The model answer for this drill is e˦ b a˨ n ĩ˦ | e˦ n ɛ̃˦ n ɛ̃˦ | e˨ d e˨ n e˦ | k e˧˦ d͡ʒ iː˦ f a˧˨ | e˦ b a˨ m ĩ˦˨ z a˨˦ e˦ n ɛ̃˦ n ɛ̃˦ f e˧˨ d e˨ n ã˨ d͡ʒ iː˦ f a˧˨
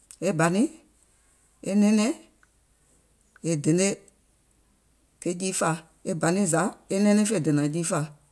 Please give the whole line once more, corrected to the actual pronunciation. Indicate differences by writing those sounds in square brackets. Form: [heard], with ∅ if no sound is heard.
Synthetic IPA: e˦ b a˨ n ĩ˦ | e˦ n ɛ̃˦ n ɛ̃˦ | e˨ d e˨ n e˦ | k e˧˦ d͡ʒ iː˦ f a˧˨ | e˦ b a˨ [n] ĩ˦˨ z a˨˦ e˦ n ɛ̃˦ n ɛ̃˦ f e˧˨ d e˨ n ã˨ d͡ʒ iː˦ f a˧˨